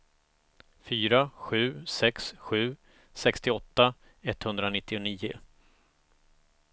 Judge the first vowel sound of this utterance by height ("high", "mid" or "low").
high